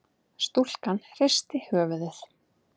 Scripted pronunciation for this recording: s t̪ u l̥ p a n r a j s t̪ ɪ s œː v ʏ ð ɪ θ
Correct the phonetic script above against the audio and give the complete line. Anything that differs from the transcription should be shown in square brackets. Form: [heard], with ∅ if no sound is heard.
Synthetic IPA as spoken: s t̪ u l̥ [k] a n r [e] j s t̪ ɪ [h] œː v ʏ ð ɪ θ